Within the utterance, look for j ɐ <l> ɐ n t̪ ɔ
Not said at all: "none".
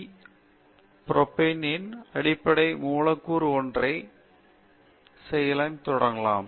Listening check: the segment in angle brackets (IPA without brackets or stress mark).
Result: l